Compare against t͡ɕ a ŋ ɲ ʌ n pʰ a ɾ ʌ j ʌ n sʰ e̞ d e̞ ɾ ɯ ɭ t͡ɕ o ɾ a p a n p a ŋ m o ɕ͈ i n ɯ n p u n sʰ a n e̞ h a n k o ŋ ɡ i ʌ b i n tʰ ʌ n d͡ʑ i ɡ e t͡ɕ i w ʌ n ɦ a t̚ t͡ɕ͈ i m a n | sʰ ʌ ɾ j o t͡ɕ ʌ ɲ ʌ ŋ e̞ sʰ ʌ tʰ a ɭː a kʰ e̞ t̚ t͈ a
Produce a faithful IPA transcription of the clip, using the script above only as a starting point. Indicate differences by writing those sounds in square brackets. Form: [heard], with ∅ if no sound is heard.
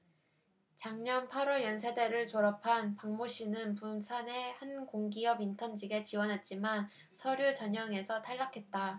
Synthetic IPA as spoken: t͡ɕ a ŋ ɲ ʌ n pʰ a ɾ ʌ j ʌ n sʰ e̞ d e̞ ɾ ɯ ɭ t͡ɕ o ɾ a [pʰ] a n p a ŋ m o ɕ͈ i n ɯ n p u n sʰ a n e̞ h a n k o ŋ ɡ i ʌ b i n tʰ ʌ n d͡ʑ i ɡ e t͡ɕ i w ʌ n ɦ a t̚ t͡ɕ͈ i m a n | sʰ ʌ ɾ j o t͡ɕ ʌ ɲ ʌ ŋ e̞ sʰ ʌ tʰ a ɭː a kʰ e̞ t̚ t͈ a

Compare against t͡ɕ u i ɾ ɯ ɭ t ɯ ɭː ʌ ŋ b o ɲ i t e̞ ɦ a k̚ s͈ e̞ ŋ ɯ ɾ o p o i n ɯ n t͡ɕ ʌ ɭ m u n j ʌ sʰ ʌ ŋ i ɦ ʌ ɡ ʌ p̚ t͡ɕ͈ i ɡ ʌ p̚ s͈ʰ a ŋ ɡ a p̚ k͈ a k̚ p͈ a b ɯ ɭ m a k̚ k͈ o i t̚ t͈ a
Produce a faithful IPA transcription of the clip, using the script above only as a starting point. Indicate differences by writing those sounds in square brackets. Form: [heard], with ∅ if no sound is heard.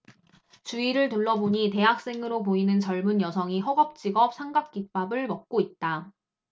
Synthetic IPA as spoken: t͡ɕ u i ɾ ɯ ɭ t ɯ ɭː ʌ [∅] b o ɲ i t e̞ ɦ a k̚ s͈ e̞ ŋ ɯ ɾ o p o i n ɯ n t͡ɕ ʌ ɭ m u n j ʌ sʰ ʌ ŋ i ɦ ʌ ɡ ʌ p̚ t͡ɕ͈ i ɡ ʌ p̚ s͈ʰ a ŋ ɡ a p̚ k͈ [i] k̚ p͈ a b ɯ ɭ m [ʌ] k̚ k͈ o i t̚ t͈ a

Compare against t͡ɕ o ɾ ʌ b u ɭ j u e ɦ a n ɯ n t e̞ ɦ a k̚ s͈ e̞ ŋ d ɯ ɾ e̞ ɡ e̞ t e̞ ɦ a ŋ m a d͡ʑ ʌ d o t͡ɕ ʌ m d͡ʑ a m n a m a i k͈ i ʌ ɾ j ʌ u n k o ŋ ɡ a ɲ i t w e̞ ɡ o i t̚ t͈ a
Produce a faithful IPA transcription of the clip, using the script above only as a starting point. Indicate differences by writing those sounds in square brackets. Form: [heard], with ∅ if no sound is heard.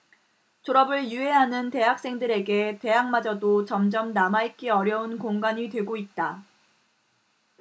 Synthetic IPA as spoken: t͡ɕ o ɾ ʌ b [ɯ] ɭ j u e ɦ a n ɯ n t e̞ ɦ a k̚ s͈ e̞ ŋ d ɯ ɾ e̞ ɡ e̞ t e̞ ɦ a ŋ m a d͡ʑ ʌ d o t͡ɕ ʌ m d͡ʑ [ʌ] m n a m a i k͈ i ʌ ɾ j ʌ u n k o ŋ ɡ a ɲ i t w e̞ ɡ o i t̚ t͈ a

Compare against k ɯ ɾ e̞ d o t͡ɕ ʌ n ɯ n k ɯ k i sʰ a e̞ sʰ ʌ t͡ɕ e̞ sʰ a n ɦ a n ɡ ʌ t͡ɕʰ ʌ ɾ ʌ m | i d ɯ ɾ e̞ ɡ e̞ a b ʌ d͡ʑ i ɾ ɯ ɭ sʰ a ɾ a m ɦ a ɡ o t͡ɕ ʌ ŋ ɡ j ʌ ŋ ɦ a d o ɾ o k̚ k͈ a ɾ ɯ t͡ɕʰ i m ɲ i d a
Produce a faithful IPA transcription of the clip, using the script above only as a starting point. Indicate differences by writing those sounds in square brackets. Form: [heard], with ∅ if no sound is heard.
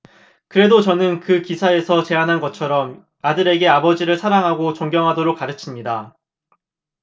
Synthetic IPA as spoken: k ɯ ɾ e̞ d o t͡ɕ ʌ n ɯ n k ɯ k i sʰ a e̞ sʰ ʌ t͡ɕ e̞ [∅] a n ɦ a n ɡ ʌ t͡ɕʰ ʌ ɾ ʌ m | [a] d ɯ ɾ e̞ ɡ e̞ a b ʌ d͡ʑ i ɾ ɯ ɭ sʰ a ɾ a [ŋ] ɦ a ɡ o t͡ɕ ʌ ŋ ɡ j ʌ ŋ ɦ a d o ɾ o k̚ k͈ a ɾ ɯ t͡ɕʰ i m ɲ i d a

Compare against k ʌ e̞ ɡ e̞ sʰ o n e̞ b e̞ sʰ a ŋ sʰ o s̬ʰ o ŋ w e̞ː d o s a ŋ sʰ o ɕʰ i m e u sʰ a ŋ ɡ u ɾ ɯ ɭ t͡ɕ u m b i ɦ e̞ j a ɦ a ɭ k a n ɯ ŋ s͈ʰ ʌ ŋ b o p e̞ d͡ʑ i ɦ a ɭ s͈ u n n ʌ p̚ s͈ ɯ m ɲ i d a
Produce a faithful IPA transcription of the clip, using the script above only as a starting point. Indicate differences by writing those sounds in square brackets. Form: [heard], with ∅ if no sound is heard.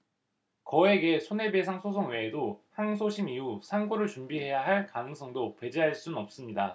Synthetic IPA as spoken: k ʌ e̞ ɡ e̞ sʰ o n e̞ b e̞ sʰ a ŋ sʰ o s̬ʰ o ŋ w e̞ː d o [h] a ŋ sʰ o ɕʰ i m [i] u sʰ a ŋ ɡ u ɾ ɯ ɭ t͡ɕ u m b i ɦ e̞ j a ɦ a ɭ k a n ɯ ŋ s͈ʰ ʌ ŋ [d] o p e̞ d͡ʑ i ɦ a ɭ s͈ u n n ʌ p̚ s͈ ɯ m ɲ i d a

